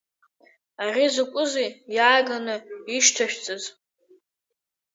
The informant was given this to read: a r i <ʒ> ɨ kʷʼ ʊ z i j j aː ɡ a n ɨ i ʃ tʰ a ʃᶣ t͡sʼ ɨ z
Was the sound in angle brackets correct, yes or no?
no